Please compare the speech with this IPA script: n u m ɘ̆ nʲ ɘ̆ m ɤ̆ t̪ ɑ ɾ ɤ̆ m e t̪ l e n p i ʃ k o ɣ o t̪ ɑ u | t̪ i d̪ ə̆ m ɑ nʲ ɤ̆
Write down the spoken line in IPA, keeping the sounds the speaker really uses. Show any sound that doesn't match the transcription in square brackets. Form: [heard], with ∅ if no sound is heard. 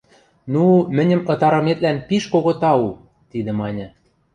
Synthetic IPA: n u m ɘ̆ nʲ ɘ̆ m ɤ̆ t̪ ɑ ɾ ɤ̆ m e t̪ l [æ] n p i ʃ k o ɣ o t̪ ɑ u | t̪ i d̪ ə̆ m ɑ nʲ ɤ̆